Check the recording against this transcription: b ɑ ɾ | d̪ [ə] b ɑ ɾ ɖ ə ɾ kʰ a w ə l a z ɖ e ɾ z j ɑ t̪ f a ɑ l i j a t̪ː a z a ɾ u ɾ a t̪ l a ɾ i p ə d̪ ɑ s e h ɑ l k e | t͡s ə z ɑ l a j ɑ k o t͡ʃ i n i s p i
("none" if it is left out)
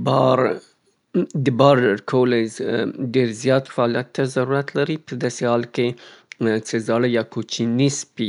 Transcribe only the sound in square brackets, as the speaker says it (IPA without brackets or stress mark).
ə